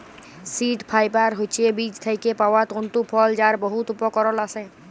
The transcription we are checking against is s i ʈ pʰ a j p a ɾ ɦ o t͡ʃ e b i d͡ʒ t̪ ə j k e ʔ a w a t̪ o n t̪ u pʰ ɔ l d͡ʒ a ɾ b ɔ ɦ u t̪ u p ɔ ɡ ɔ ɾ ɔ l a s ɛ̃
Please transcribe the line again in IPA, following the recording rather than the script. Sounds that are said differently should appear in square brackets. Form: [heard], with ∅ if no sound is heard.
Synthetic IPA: s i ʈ pʰ a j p a ɾ ɦ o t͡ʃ e b i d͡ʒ [t̪ʰ] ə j k e [p] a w a t̪ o n t̪ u pʰ ɔ l d͡ʒ a ɾ b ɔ ɦ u t̪ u p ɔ [k] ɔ ɾ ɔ l a s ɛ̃